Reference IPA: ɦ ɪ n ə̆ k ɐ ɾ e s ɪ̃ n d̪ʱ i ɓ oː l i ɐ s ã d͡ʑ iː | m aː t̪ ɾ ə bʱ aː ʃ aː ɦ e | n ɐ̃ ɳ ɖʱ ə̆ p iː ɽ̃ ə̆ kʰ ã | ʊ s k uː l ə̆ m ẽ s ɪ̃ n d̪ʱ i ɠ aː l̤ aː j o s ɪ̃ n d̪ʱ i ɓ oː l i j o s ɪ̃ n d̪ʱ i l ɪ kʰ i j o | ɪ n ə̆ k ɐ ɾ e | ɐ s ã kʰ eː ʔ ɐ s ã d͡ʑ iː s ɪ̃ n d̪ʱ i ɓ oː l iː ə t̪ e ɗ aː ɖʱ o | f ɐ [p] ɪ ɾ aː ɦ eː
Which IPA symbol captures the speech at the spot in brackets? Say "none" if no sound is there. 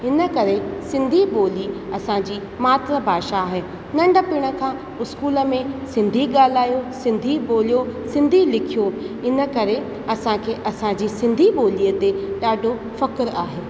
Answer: k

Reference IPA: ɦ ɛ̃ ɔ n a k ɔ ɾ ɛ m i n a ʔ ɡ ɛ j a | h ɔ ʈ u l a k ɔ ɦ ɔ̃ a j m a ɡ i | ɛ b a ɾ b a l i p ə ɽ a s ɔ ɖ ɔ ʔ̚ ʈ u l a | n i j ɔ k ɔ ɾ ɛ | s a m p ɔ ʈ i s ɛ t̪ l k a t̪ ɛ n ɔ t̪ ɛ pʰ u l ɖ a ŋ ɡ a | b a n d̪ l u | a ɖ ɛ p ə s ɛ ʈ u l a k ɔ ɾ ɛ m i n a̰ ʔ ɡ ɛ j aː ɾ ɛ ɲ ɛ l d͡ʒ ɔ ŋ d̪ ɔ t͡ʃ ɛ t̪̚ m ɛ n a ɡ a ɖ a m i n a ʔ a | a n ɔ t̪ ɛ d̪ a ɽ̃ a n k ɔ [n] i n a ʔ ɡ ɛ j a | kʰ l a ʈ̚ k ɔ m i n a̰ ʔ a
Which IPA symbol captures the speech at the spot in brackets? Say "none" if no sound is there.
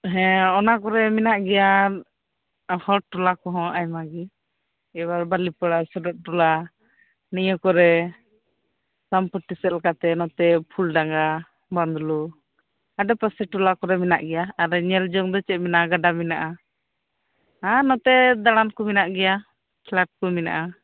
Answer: m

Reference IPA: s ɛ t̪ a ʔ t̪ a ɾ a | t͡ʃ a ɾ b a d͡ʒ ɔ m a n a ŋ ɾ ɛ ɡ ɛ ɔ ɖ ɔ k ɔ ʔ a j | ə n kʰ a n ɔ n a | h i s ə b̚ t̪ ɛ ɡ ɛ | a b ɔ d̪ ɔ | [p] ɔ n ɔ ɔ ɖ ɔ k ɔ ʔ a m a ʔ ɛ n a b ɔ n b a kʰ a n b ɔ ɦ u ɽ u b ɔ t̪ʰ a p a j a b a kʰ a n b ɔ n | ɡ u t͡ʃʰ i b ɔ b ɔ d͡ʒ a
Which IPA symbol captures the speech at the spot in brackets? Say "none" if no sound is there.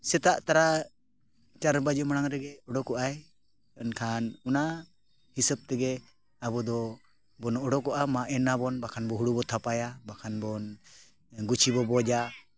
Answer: b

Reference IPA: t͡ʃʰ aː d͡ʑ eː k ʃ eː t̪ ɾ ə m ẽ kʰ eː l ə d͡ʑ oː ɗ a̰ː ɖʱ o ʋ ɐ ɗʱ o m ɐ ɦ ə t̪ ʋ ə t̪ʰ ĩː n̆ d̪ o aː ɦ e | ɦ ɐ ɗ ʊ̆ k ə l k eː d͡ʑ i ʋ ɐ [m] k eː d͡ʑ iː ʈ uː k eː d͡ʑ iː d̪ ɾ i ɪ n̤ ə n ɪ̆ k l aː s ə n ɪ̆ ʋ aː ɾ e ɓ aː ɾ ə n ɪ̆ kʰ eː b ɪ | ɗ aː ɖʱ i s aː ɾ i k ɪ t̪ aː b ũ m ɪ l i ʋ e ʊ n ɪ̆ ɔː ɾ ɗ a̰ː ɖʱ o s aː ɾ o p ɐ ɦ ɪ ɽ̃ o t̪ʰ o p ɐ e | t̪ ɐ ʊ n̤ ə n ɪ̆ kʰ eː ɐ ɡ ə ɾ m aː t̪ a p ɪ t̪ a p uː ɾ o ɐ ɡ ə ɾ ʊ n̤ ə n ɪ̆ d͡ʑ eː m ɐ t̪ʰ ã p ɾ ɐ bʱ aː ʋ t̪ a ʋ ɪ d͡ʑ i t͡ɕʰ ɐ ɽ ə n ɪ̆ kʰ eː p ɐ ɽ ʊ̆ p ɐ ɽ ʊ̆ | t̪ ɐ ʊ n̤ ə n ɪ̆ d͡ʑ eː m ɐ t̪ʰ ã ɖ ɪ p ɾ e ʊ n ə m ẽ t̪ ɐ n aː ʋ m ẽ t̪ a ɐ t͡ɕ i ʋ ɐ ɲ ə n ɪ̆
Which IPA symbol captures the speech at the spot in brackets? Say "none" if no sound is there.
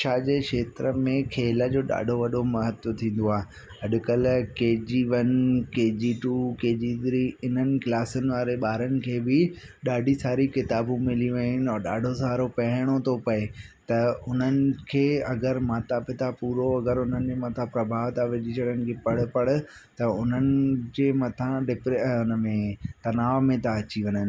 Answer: n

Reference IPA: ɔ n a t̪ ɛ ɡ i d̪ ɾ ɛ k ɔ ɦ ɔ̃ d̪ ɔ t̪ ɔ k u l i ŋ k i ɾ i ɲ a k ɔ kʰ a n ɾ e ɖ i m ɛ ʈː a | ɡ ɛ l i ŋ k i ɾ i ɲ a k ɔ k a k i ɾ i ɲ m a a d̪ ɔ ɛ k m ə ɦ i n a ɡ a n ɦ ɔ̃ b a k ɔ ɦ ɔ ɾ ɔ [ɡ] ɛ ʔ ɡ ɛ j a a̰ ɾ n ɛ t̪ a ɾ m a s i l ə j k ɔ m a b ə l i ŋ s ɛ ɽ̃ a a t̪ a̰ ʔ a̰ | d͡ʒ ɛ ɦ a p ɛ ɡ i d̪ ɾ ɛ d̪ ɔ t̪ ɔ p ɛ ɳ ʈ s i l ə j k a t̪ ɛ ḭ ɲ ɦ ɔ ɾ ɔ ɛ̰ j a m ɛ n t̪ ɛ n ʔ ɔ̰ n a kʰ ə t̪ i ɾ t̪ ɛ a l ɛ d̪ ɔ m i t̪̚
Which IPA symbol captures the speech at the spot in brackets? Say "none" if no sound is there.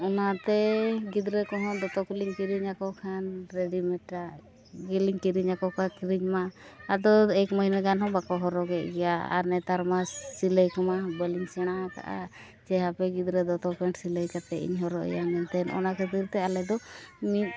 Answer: ɡ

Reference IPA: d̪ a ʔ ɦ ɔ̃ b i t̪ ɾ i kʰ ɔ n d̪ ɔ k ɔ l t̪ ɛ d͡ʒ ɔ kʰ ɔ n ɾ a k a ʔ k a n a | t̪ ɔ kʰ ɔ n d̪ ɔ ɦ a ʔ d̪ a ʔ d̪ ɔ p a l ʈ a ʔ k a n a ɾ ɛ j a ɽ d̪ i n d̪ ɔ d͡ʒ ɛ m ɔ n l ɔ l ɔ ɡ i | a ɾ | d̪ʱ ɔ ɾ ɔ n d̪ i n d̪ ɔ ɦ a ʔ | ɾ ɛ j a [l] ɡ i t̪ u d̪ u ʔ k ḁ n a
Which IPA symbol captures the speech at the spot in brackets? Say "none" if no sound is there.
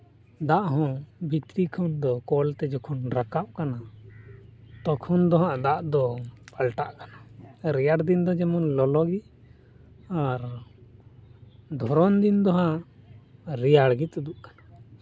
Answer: ɽ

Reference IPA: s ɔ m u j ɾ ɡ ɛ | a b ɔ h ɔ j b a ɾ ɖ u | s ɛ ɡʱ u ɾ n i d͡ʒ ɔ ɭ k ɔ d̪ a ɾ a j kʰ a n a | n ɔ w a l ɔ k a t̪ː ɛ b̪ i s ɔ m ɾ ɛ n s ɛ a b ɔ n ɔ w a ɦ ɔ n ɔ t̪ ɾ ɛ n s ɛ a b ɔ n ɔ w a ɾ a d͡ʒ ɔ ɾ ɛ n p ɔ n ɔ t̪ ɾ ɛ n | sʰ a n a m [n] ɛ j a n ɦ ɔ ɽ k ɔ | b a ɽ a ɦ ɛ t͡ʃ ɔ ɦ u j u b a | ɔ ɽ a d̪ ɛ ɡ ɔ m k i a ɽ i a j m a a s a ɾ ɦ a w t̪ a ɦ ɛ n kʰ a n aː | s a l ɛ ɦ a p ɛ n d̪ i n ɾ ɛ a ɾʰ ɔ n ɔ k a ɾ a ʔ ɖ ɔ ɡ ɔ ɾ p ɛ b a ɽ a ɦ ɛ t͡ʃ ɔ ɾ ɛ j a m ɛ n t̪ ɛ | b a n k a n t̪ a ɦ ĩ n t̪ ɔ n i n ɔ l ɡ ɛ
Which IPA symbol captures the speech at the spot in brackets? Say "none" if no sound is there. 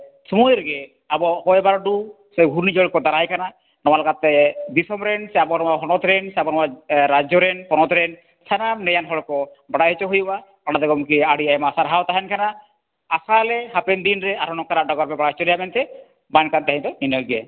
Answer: n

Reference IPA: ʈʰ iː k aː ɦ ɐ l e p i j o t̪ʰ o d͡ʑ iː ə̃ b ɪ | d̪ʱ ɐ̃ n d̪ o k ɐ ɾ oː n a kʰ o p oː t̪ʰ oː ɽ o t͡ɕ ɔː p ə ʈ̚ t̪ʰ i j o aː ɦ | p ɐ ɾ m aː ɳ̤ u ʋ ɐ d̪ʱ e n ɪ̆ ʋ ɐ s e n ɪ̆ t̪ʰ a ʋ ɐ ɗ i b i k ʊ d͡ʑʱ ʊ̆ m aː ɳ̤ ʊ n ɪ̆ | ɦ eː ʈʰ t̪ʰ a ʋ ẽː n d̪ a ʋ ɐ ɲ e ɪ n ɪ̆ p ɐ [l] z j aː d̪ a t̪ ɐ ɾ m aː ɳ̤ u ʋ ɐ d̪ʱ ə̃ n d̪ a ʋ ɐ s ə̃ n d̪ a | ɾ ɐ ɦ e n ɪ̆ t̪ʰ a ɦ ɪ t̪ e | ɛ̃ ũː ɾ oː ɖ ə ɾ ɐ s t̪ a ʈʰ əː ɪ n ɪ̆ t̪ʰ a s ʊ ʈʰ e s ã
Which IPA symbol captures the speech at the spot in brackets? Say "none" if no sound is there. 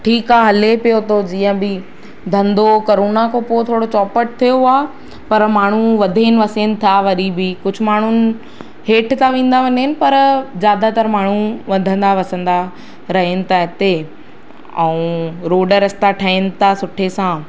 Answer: ɾ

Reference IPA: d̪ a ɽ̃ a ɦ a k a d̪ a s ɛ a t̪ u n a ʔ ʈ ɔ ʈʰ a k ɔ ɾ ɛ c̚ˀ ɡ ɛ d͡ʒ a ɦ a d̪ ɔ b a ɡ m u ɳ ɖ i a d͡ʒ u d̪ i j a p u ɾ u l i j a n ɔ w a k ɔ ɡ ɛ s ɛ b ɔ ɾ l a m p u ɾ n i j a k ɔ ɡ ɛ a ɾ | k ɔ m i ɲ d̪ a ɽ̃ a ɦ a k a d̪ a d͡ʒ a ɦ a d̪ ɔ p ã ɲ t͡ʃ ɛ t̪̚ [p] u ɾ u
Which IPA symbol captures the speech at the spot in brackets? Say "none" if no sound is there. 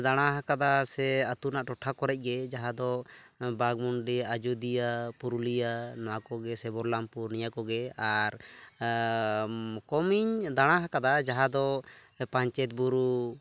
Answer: b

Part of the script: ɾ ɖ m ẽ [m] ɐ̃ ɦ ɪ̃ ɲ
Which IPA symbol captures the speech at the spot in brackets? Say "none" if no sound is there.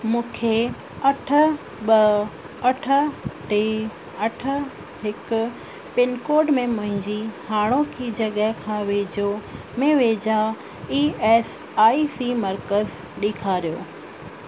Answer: m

